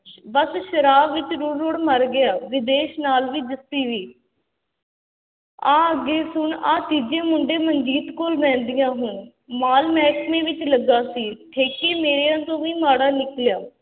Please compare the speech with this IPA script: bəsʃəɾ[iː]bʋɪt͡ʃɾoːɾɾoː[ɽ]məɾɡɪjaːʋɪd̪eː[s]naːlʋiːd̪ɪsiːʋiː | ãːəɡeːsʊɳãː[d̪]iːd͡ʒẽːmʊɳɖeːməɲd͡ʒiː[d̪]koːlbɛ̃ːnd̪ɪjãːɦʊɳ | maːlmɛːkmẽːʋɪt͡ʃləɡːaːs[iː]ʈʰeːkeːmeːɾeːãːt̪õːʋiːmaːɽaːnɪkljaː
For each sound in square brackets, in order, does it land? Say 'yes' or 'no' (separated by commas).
no, yes, no, no, no, yes